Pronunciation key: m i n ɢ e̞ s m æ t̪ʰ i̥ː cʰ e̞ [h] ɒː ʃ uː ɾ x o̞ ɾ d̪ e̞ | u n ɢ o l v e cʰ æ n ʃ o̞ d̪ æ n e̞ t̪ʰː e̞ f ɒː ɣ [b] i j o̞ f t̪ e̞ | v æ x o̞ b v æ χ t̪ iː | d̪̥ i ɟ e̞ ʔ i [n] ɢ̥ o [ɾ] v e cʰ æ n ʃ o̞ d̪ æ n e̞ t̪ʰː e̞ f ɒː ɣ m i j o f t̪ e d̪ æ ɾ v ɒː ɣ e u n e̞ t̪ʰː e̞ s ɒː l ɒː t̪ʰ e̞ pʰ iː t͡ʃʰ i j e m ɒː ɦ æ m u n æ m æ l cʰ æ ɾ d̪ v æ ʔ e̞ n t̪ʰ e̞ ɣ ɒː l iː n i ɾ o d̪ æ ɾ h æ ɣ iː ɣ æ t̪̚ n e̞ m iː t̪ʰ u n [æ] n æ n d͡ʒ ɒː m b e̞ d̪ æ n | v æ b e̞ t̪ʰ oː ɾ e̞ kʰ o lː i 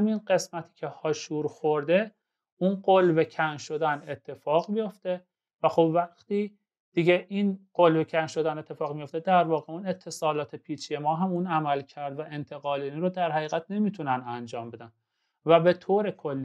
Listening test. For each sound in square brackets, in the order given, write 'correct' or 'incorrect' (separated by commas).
correct, incorrect, correct, incorrect, correct